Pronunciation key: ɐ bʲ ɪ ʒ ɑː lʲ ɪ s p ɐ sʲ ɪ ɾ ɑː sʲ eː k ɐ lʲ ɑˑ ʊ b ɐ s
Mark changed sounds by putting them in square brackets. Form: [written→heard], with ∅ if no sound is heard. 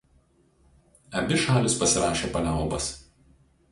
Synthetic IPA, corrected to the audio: ɐ bʲ ɪ [ʒ→ʃ] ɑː lʲ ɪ s p ɐ sʲ ɪ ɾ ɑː [sʲ→ʃʲ] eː [k→p] ɐ lʲ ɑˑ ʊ b ɐ s